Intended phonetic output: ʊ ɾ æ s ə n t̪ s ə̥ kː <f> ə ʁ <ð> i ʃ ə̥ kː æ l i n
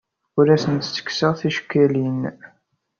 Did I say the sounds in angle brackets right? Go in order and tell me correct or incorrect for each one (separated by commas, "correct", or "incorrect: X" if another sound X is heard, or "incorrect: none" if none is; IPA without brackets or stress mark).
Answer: incorrect: s, incorrect: θ